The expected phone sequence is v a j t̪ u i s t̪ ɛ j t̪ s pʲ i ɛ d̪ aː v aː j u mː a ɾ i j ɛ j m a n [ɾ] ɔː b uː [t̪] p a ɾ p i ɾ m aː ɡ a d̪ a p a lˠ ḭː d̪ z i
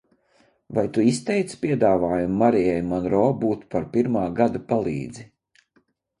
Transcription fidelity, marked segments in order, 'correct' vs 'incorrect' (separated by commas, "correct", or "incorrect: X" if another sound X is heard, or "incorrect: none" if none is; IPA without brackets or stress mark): correct, correct